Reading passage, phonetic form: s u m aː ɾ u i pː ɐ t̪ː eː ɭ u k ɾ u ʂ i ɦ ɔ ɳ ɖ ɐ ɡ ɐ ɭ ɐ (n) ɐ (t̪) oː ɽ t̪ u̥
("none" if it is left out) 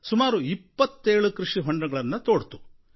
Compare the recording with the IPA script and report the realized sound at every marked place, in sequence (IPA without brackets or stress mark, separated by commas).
nː, t̪